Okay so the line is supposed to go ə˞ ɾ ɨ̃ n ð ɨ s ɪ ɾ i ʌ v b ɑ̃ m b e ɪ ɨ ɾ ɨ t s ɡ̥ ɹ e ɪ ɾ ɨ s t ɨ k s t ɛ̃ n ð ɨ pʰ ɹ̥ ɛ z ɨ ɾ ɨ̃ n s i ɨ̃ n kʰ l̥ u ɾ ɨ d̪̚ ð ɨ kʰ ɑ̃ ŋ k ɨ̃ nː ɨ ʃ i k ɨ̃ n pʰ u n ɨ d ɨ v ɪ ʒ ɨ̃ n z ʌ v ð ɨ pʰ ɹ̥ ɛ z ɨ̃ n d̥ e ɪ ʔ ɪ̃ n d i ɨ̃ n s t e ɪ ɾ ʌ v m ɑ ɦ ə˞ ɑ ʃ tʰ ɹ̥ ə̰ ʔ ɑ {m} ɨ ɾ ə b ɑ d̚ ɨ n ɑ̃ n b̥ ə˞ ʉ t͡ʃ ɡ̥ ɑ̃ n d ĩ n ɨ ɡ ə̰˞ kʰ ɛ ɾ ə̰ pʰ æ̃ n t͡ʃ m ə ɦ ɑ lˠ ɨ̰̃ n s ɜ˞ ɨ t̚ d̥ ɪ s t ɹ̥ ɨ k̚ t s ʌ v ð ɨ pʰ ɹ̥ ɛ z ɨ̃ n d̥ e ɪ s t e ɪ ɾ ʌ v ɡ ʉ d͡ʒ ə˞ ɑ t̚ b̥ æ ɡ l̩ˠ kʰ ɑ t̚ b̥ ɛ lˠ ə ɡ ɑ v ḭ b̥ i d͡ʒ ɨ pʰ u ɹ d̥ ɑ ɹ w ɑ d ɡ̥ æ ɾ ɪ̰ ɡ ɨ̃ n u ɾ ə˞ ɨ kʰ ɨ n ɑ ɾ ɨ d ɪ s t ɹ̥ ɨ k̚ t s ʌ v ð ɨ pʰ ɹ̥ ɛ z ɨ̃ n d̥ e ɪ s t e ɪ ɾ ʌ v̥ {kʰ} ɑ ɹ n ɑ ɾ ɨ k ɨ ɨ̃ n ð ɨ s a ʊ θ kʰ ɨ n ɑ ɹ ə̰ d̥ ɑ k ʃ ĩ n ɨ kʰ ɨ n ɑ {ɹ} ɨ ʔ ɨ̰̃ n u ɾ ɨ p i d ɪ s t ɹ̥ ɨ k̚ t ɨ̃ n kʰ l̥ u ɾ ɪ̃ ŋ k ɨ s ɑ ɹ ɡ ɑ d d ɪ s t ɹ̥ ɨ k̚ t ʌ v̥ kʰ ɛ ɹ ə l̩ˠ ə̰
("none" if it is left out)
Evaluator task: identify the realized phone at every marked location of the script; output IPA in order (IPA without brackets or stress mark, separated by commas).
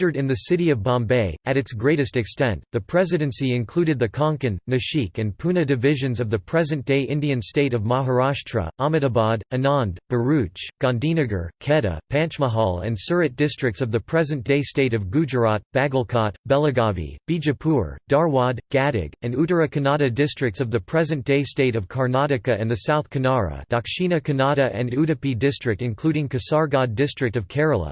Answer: m, kʰ, ɾ